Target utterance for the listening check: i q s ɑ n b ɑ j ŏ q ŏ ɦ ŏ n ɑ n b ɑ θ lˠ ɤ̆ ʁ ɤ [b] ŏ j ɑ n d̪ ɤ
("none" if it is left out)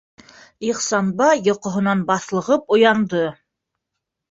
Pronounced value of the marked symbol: p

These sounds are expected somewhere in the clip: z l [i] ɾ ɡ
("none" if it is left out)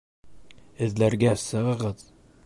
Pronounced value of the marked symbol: æ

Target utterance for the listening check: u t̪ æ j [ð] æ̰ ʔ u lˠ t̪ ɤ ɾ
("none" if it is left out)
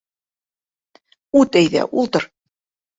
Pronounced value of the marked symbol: ð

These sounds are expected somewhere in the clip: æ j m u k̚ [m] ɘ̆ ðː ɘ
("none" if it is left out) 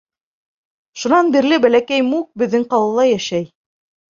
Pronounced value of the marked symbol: b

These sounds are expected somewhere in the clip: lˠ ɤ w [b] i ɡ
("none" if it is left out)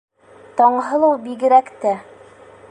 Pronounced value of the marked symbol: b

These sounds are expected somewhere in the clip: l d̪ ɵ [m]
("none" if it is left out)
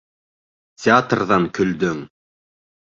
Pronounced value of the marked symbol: ŋ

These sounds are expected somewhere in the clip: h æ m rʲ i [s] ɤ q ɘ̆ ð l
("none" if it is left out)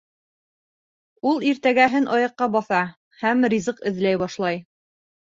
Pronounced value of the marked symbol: z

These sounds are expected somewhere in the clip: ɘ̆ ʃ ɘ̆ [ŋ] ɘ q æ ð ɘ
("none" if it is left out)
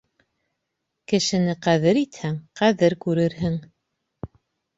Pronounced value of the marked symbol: n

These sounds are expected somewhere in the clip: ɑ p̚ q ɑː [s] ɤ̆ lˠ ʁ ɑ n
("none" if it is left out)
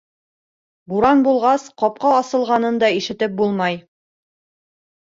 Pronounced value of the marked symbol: s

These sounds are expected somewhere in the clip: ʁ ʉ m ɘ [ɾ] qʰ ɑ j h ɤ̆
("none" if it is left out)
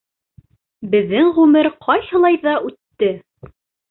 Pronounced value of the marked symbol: ɾ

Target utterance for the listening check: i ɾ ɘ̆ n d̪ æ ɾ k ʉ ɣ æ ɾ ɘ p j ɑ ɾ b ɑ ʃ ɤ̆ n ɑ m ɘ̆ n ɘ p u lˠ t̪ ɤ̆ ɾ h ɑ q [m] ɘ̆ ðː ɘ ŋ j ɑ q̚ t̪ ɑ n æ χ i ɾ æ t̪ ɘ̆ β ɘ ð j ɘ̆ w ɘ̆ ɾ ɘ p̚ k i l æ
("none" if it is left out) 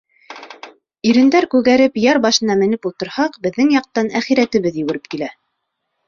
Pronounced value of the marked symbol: b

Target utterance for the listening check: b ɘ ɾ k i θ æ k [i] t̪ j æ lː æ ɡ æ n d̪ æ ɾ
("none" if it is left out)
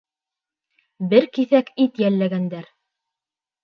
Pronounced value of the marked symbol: i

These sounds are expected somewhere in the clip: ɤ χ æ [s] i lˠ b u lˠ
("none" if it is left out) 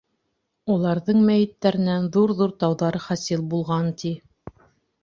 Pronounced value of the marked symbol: s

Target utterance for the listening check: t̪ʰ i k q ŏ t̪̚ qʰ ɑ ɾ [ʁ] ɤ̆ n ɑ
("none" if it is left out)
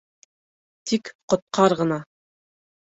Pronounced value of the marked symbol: ʁ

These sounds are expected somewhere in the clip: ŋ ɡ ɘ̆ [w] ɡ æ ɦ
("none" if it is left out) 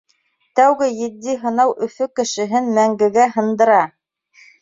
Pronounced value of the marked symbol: none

